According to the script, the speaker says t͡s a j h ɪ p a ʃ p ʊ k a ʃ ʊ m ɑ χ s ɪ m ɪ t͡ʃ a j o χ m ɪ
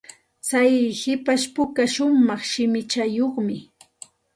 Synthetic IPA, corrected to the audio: t͡s a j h ɪ p a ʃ p ʊ k a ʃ ʊ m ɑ χ ʃ ɪ m ɪ t͡ʃ a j o χ m ɪ